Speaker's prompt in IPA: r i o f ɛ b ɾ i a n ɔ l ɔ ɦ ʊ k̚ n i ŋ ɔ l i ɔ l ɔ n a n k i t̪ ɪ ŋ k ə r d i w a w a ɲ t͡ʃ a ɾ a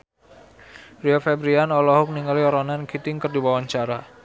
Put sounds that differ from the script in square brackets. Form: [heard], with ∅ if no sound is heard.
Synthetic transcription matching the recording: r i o f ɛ b ɾ i a n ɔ l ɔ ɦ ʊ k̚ n i ŋ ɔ l i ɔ [ɾ] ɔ n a n k i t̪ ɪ ŋ k ə r d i w a w a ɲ t͡ʃ a ɾ a